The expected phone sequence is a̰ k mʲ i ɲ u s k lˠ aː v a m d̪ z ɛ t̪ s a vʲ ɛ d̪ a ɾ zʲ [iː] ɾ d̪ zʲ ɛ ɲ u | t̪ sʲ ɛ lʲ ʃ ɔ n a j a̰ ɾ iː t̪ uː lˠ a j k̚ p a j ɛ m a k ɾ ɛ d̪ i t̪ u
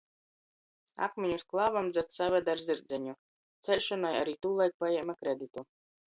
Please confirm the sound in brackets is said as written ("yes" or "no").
no